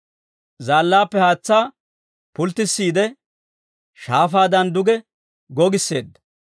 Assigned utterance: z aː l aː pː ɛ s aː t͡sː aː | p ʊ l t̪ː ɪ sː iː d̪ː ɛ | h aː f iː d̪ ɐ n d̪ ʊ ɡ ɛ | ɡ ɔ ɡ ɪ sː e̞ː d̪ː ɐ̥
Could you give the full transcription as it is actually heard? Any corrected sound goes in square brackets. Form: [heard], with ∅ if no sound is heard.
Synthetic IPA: z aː [lː] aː pː ɛ [h] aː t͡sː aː | p ʊ l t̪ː ɪ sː iː [d̪] ɛ | [ʃ] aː f [aː] d̪ ɐ n d̪ ʊ ɡ ɛ | ɡ ɔ ɡ ɪ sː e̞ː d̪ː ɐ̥